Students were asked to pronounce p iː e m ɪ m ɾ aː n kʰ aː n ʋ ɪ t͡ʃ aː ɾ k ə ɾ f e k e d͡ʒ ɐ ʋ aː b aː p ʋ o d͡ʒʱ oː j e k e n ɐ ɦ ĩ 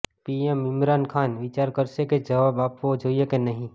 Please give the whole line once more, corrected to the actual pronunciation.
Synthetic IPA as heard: p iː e m ɪ m ɾ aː n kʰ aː n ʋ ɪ t͡ʃ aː ɾ k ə ɾ s e k e d͡ʒ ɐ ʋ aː b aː p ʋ o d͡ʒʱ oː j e k e n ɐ ɦ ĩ